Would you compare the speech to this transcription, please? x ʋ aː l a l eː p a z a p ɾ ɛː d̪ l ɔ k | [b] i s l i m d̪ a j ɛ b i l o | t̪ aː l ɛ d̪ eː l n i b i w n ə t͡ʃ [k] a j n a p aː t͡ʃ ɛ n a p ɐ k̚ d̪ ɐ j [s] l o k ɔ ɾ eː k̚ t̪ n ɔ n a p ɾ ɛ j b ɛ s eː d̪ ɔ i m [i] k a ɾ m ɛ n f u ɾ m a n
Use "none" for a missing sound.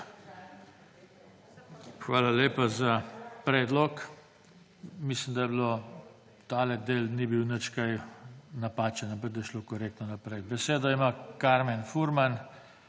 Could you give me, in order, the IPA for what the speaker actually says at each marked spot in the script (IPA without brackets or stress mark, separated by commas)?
m, k, ʃ, a